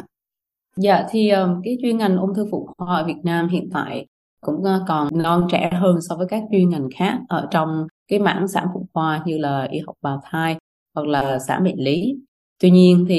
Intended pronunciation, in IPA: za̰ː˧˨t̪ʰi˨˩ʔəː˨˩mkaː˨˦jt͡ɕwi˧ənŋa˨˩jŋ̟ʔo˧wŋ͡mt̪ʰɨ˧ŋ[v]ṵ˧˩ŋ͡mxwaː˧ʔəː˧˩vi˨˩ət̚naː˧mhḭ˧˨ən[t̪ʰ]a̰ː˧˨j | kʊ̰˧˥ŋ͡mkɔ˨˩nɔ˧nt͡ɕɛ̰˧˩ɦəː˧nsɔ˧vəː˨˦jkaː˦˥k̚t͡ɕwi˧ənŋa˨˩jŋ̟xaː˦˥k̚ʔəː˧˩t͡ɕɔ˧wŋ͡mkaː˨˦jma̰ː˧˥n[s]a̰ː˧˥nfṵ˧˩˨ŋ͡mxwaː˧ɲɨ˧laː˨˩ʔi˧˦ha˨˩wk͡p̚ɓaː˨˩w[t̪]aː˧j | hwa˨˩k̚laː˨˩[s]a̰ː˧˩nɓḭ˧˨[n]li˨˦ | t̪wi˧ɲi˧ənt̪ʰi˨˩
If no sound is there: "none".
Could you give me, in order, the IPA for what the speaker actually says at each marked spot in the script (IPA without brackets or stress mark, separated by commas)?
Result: f, t̪, s, t̪ʰ, s, n